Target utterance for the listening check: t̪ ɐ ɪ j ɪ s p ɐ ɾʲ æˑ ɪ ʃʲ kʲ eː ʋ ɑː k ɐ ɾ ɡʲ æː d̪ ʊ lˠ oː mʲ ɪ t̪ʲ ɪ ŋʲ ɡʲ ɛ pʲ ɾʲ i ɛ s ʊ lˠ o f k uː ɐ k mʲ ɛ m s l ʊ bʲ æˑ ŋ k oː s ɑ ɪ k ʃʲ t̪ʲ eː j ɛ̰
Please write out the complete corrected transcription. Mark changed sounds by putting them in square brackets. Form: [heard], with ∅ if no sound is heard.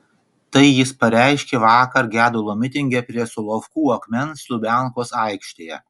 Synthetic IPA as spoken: t̪ ɐ ɪ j ɪ s p ɐ ɾʲ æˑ ɪ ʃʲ kʲ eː ʋ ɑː k ɐ ɾ ɡʲ æː d̪ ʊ lˠ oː mʲ ɪ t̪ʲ ɪ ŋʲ ɡʲ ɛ pʲ ɾʲ i ɛ s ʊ lˠ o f k uː ɐ k mʲ ɛ [n] s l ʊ bʲ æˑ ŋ k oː s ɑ ɪ k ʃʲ t̪ʲ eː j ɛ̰